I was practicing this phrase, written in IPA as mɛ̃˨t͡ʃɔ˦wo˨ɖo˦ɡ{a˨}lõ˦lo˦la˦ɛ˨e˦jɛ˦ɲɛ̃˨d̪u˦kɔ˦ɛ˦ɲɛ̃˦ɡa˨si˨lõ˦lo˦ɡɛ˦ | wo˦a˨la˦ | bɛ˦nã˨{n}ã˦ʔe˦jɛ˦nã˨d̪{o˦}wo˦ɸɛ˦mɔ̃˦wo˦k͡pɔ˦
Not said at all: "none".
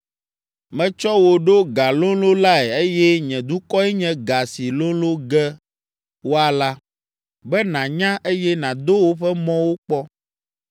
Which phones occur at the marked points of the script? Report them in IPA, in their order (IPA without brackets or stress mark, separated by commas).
a˨, ɲ, o˦